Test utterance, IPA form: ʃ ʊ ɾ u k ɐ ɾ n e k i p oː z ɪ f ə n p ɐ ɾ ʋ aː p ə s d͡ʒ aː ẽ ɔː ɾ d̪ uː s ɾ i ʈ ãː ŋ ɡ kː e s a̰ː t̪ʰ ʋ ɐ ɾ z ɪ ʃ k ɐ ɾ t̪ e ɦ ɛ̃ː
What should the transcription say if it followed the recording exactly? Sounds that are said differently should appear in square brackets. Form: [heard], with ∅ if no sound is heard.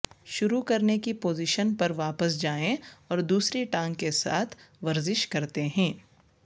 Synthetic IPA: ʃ ʊ ɾ u k ɐ ɾ n e k i p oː z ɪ [ʃ] ə n p ɐ ɾ ʋ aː p ə s d͡ʒ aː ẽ ɔː ɾ d̪ uː s ɾ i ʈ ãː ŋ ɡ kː e s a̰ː t̪ʰ ʋ ɐ ɾ z ɪ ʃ k ɐ ɾ t̪ e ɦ ɛ̃ː